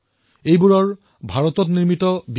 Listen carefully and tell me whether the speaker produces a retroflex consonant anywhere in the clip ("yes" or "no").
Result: no